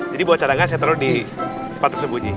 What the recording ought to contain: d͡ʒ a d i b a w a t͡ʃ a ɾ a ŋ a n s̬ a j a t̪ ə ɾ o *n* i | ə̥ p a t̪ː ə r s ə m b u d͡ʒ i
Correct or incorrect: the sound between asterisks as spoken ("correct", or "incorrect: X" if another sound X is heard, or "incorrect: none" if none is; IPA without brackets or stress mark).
incorrect: d